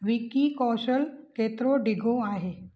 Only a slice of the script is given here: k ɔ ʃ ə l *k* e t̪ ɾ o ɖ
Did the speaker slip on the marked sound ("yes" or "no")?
no